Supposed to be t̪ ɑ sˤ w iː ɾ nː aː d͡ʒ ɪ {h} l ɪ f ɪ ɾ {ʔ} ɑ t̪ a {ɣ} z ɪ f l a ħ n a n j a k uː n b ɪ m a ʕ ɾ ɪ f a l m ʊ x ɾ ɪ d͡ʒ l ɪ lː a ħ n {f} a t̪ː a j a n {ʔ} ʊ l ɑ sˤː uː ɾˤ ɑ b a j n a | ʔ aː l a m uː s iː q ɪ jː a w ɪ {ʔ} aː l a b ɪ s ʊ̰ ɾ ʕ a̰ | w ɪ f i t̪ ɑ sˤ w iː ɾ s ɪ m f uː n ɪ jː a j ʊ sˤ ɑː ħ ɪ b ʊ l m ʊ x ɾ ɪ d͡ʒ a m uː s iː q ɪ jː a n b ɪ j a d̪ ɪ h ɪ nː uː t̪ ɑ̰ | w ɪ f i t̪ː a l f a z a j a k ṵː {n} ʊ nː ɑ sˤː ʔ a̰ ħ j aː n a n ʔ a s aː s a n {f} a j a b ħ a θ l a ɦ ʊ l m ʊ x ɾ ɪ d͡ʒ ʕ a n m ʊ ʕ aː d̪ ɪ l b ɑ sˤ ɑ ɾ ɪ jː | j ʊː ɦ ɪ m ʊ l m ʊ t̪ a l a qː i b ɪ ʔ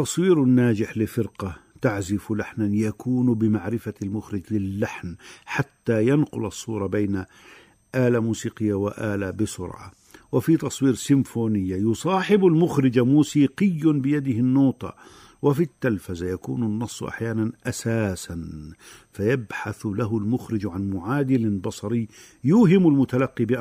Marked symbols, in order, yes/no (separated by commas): no, no, no, no, no, yes, yes, yes